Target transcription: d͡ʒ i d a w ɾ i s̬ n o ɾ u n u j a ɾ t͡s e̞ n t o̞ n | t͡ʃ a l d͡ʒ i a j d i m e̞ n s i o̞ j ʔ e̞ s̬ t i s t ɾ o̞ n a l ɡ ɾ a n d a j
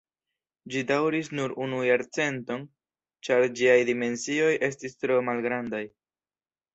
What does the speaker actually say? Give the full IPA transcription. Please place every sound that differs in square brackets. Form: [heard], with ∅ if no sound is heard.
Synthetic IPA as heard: d͡ʒ i d a w ɾ i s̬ n [u] ɾ u n u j a ɾ t͡s e̞ n t o̞ n | t͡ʃ a [ɾ] d͡ʒ i a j d i m e̞ n s i o̞ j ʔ e̞ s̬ t i s t ɾ o̞ [m] a l ɡ ɾ a n d a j